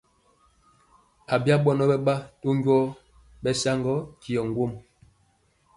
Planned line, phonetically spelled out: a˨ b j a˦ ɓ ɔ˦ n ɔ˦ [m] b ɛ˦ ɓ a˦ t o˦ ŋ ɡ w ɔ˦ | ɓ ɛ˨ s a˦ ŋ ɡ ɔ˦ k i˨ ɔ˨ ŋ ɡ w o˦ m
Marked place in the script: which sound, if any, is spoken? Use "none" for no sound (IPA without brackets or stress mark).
none